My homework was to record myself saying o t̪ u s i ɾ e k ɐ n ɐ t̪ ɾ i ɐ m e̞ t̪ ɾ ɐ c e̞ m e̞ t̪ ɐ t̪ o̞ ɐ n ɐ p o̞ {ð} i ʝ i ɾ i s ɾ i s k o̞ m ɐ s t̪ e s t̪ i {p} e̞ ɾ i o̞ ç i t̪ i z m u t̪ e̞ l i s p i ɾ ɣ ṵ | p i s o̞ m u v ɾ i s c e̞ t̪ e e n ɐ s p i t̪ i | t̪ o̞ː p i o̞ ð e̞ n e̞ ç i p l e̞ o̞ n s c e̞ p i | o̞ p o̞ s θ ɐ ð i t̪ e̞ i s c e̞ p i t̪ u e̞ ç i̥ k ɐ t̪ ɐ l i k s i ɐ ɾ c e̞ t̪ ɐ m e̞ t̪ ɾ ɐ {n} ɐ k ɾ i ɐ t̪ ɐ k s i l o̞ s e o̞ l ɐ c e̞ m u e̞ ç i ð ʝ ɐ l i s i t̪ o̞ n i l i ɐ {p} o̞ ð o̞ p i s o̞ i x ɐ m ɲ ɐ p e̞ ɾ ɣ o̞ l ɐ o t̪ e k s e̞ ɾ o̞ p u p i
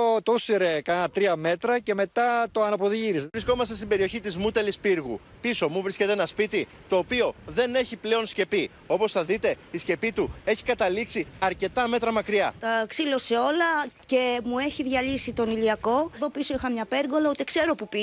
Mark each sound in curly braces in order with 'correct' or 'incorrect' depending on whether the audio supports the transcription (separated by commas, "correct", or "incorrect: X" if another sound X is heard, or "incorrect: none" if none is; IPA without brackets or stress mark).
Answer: correct, incorrect: b, incorrect: m, incorrect: k